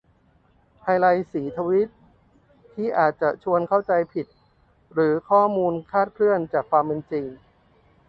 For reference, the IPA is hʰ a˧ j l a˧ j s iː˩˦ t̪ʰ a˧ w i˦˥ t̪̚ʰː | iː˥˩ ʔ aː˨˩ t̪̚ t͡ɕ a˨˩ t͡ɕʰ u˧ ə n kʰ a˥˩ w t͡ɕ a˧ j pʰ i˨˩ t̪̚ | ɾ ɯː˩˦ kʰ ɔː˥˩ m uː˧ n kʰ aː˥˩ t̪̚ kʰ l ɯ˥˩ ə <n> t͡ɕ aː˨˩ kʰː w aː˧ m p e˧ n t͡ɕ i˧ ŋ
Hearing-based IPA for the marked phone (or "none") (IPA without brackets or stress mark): n